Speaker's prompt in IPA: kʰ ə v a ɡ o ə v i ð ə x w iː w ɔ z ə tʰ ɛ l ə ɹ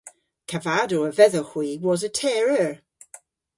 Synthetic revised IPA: kʰ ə v a d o ə v ɛ ð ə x w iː w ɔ z ə tʰ ɛ ɹ ə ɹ

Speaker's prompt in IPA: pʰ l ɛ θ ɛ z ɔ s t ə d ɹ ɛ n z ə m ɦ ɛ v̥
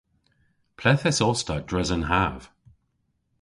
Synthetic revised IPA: pʰ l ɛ θ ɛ s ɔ s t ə d ɹ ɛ z ə n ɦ a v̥

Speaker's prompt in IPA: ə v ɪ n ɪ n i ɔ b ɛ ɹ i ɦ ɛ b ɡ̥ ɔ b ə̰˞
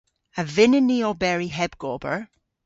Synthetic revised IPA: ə v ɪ n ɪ n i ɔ b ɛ ɹ i ɦ ɛ b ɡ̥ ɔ b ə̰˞

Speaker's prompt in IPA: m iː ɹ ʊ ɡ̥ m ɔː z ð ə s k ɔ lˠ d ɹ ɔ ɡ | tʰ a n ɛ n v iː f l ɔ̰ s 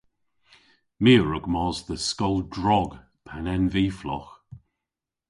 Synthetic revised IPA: m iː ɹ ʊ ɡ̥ m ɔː z ð ə s k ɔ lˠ d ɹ ɔ ɡ | pʰ a n ɛ n v iː f l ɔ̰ x

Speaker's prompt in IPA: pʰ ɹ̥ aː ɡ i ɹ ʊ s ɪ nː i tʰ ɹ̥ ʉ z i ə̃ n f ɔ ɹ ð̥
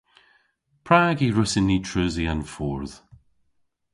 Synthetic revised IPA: pʰ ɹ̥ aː ɡ i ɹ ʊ s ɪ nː i tʰ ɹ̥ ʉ z i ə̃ n f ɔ ɹ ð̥

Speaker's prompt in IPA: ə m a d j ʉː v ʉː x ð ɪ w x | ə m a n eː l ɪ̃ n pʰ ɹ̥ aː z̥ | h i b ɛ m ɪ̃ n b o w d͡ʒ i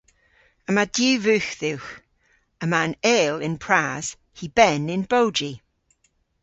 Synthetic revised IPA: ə m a d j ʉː v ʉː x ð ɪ w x | ə m a n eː l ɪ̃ n pʰ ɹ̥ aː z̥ | h i b ɛ n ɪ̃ n b o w d͡ʒ i

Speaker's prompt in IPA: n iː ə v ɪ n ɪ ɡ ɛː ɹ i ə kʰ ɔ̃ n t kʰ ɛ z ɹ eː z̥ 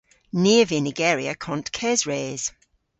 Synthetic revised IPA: n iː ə v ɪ n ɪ ɡ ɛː ɹ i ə kʰ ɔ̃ n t kʰ ɛ z ɹ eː z̥

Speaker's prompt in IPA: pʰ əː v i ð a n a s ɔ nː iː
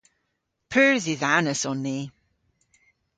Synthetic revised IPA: pʰ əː z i ð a n ə s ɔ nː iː

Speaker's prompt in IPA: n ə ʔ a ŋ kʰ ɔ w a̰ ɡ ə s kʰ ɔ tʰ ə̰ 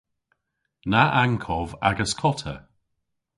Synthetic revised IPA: n a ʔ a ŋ kʰ ɔ v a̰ ɡ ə s kʰ ɔ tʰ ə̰

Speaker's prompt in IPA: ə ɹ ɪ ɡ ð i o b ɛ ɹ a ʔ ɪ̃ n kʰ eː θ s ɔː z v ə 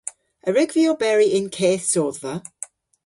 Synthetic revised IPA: ə ɹ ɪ ɡ v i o b ɛ ɹ i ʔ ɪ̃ n kʰ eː θ s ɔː ð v ə

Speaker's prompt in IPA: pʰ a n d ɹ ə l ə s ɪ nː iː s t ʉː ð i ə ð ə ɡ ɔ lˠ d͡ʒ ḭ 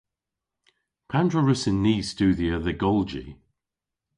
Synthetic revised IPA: pʰ a n d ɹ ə ɹ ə s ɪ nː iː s t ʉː ð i ə ð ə ɡ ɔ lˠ d͡ʒ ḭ

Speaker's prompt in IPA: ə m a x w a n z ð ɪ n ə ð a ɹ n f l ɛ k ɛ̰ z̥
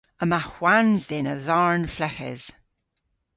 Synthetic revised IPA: ə m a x w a n z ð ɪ n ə ð a ɹ n f l ɛ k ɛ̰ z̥

